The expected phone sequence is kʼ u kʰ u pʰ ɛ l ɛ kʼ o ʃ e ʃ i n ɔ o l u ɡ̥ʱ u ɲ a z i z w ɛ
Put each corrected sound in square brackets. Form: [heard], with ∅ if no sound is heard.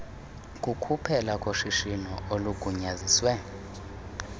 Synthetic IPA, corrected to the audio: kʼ u kʰ u pʰ ɛ l [a] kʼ o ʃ [i] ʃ i n ɔ o l u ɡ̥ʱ u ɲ a z i [s] w ɛ